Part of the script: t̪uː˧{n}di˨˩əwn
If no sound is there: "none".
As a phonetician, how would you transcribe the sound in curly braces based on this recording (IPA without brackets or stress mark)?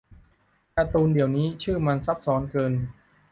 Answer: n